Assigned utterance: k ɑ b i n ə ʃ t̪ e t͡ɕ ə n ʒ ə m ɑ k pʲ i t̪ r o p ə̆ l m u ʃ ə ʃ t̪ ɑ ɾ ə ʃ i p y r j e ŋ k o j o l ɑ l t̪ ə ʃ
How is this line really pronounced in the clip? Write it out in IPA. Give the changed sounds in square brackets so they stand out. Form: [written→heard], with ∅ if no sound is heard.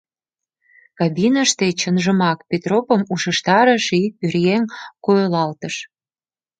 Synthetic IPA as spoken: k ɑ b i n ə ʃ t̪ e t͡ɕ ə n ʒ ə m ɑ k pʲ [i→e] t̪ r o p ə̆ [l→∅] m u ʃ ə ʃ t̪ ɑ ɾ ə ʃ i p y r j e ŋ k o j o l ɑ l t̪ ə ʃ

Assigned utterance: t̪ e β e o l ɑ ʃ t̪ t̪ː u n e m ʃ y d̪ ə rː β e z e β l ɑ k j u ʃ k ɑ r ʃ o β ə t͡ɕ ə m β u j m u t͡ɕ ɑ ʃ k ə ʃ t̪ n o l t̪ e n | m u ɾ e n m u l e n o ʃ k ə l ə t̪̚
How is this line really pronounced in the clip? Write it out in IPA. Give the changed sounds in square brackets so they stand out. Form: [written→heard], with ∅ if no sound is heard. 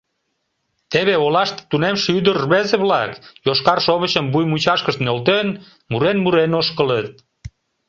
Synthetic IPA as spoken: t̪ e β e o l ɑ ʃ t̪ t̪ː u n e m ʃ y d̪ ə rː β e z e β l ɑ k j [u→o] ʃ k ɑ r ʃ o β ə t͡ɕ ə m [β→b] u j m u t͡ɕ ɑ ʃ k ə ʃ t̪ n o l t̪ e n | m u ɾ e n m u [l→ɾ] e n o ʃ k ə l ə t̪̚

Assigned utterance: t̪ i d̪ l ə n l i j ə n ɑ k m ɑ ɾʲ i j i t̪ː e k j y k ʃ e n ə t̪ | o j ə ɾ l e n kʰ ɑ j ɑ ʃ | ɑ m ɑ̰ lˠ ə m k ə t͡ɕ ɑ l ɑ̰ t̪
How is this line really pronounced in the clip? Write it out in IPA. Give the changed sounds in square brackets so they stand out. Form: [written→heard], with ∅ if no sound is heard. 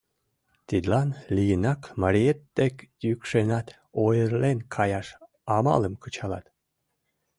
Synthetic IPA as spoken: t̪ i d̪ l [ə→ɑ] n l i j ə n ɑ k m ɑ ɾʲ i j [i→e] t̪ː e k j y k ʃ e n [ə→ɑ] t̪ | o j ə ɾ l e n kʰ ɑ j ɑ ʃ | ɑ m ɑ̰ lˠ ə m k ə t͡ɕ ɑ l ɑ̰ t̪

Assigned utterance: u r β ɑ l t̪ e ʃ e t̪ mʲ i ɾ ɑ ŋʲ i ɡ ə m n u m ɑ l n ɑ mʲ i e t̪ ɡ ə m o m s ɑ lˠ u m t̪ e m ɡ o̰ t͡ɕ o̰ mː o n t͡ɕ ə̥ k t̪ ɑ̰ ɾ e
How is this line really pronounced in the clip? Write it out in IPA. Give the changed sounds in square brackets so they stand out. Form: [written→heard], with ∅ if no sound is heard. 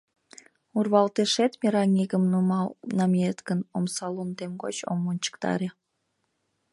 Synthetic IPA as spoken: u r β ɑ l t̪ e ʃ e t̪ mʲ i ɾ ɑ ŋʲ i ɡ ə m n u m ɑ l n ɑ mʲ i e t̪ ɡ ə [m→n] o m s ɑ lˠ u [m→n] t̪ e m ɡ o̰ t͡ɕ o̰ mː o n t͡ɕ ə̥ k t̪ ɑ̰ ɾ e

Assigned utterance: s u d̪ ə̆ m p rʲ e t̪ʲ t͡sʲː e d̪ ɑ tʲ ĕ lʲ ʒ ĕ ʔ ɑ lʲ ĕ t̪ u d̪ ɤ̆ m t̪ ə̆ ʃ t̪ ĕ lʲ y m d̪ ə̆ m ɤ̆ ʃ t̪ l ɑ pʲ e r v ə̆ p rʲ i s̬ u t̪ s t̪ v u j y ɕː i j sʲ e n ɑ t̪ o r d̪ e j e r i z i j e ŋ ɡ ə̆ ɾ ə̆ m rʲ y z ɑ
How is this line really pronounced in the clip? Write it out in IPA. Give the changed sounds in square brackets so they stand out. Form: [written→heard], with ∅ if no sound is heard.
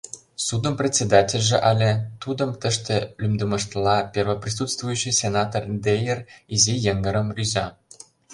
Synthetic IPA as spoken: s u d̪ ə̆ m p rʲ e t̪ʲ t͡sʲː e d̪ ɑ tʲ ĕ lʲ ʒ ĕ ʔ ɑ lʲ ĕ t̪ u d̪ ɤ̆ m t̪ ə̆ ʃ t̪ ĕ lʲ y m d̪ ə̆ m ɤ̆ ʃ t̪ l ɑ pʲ e r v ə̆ p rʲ i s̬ u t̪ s t̪ v u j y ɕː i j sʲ e n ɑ t̪ o r d̪ e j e r i z i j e ŋ ɡ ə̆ ɾ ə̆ m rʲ y z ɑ

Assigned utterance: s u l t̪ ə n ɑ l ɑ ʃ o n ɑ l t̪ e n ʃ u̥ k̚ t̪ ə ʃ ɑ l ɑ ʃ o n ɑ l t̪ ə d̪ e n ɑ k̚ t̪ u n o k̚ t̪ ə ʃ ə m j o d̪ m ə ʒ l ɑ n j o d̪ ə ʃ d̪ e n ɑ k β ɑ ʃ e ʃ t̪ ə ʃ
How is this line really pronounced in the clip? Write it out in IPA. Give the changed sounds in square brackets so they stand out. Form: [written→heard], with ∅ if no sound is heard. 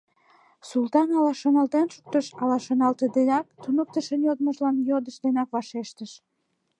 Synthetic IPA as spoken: s u l t̪ [ə→ɑ] n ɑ l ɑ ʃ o n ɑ l t̪ e n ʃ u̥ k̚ t̪ ə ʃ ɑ l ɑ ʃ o n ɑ l t̪ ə d̪ e n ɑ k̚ t̪ u n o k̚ t̪ ə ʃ ə [m→n] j o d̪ m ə ʒ l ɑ n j o d̪ ə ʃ d̪ e n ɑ k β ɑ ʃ e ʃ t̪ ə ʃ

